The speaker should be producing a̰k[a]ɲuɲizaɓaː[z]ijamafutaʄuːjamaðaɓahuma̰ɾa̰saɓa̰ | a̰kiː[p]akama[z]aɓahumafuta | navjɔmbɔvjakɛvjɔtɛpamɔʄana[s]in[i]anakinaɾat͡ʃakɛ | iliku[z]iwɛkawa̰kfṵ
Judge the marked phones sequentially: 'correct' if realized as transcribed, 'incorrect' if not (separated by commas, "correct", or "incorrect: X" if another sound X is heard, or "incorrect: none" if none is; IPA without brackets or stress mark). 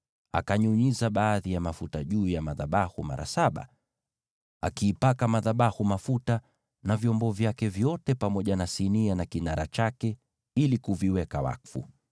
correct, incorrect: ð, correct, incorrect: ð, correct, correct, incorrect: v